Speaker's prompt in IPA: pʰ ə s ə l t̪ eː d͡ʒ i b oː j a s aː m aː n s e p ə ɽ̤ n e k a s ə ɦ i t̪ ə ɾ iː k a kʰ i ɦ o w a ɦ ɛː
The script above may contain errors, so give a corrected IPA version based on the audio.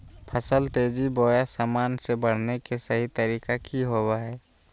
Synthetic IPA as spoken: pʰ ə s ə l t̪ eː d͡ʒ i b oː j a s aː m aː n s e b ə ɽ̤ n e k e s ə ɦ i t̪ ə ɾ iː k a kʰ i ɦ o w a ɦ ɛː

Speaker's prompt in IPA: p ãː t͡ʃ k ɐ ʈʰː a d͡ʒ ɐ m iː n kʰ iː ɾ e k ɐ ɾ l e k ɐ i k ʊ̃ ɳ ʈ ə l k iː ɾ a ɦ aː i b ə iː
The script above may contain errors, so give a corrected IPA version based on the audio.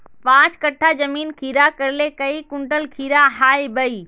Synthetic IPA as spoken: p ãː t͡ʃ k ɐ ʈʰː a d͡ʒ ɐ m iː n kʰ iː ɾ a k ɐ ɾ l e k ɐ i k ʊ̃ ɳ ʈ ə l kʰ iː ɾ a ɦ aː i b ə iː

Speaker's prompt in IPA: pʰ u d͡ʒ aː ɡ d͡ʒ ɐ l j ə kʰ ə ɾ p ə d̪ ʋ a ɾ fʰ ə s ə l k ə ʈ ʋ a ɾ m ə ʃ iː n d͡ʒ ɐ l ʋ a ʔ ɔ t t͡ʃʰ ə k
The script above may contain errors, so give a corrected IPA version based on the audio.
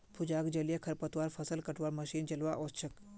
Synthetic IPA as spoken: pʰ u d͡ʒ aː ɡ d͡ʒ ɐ l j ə kʰ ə ɾ p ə t̪ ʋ a ɾ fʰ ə s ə l k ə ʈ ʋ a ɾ m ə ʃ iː n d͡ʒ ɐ l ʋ a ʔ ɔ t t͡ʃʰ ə k

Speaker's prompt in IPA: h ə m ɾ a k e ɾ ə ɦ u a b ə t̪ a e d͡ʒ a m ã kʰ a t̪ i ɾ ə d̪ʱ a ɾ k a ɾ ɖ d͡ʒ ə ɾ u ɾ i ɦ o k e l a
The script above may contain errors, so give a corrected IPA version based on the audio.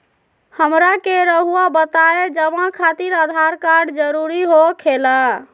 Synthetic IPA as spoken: h ə m ɾ a k e ɾ ə ɦ u a b ə t̪ a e d͡ʒ ə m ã kʰ a t̪ i ɾ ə d̪ʱ a ɾ k a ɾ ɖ d͡ʒ ə ɾ u ɾ i ɦ o kʰ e l a

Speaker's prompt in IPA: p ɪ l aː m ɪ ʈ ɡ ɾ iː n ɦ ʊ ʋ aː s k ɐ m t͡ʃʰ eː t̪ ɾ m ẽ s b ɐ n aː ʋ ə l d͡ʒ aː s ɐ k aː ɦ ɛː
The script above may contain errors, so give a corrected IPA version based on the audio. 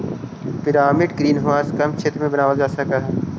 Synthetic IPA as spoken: p ɪ ɾ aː m ɪ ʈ ɡ ɾ iː n ɦ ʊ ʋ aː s k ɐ m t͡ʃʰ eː t̪ ɾ m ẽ b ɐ n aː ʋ ə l d͡ʒ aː s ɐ k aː ɦ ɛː

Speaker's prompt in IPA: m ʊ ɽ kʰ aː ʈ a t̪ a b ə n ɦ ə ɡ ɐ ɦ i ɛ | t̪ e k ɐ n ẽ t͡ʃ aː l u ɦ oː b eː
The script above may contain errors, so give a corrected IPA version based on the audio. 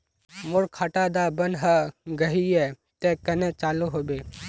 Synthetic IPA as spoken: m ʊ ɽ kʰ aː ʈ a d̪ a b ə n ɦ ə ɡ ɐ ɦ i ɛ | t̪ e k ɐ n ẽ t͡ʃ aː l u ɦ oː b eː

